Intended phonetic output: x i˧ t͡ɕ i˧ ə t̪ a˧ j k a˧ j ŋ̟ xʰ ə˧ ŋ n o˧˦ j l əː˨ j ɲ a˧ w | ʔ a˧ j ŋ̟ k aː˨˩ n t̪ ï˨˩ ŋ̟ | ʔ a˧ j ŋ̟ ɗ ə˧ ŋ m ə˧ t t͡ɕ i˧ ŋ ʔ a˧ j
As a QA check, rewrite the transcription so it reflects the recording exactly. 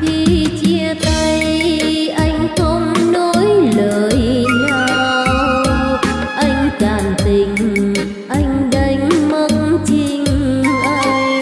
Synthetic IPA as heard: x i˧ t͡ɕ i˧ ə t̪ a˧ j ʔ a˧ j ŋ̟ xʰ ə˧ ŋ͡m n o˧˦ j l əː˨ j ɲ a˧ w | ʔ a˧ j ŋ̟ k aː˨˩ n t̪ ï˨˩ ŋ̟ | ʔ a˧ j ŋ̟ ɗ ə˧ ŋ m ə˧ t t͡ɕ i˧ ŋ ʔ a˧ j